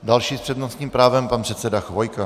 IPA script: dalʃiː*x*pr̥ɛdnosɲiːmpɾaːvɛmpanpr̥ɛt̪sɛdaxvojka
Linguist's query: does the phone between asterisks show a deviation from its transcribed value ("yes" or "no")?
yes